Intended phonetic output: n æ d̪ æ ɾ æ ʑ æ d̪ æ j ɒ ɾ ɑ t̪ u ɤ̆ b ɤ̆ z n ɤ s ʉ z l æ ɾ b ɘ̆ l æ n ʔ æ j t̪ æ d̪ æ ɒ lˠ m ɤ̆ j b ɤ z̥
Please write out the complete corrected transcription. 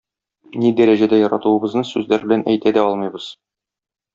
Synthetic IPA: n i d̪ æ ɾ æ ʑ æ d̪ æ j ɒ ɾ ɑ t̪ u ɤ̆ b ɤ̆ z n ɤ s ʉ z l æ ɾ b ɘ̆ l æ n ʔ æ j t̪ æ d̪ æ ɒ lˠ m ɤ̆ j b ɤ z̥